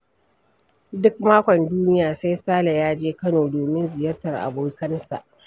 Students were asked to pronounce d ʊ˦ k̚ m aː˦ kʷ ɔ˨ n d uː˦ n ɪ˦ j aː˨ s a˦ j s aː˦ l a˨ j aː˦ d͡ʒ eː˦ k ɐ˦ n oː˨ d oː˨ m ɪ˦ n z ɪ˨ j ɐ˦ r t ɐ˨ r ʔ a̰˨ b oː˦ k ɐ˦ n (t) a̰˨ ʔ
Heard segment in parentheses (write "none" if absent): s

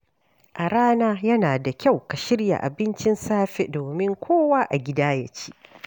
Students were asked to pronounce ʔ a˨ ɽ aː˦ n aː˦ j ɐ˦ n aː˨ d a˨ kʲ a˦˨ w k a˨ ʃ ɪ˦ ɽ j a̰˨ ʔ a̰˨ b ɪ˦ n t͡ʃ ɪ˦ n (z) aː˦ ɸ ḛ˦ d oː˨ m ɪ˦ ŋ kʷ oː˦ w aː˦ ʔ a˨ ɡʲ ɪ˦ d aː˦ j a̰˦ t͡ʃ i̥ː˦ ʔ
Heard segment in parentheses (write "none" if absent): s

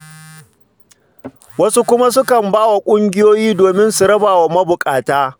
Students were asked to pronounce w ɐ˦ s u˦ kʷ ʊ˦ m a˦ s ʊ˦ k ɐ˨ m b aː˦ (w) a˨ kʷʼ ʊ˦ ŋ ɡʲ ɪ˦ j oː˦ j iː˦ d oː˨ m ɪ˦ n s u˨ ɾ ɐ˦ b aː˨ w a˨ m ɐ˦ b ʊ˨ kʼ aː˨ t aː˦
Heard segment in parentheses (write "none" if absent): w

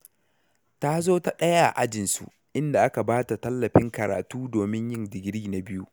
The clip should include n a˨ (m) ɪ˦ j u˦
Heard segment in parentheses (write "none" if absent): b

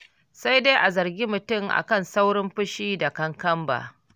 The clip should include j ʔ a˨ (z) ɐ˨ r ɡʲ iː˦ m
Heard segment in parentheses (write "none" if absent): z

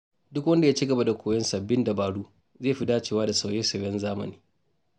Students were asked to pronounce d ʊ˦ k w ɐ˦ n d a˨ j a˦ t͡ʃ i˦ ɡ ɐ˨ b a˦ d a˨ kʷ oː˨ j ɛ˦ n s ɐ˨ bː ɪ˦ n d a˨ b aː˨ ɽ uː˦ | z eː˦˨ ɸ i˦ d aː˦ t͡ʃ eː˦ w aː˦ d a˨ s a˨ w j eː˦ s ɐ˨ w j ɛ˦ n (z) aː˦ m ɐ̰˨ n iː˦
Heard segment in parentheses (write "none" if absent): z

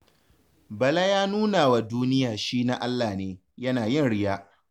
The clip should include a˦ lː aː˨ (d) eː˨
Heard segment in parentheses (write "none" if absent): n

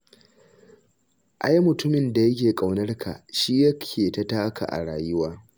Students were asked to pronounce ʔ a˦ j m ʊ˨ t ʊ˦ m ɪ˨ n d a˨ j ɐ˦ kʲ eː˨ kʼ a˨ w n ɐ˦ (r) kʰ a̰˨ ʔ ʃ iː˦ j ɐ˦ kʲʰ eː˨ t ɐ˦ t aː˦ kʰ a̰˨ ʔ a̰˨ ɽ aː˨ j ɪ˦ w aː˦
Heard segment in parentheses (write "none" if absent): r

